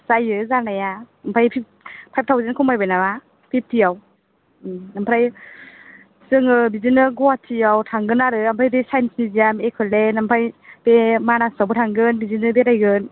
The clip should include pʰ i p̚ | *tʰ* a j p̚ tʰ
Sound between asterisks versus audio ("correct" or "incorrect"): incorrect